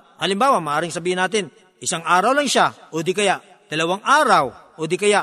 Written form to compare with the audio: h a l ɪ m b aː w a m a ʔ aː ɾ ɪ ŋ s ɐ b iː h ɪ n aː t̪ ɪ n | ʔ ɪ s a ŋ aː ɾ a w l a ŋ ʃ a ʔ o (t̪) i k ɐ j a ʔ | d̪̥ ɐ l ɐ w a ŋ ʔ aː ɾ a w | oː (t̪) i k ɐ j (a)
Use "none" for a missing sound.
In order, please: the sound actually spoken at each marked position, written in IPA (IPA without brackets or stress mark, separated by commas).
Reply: d̪, d̪, a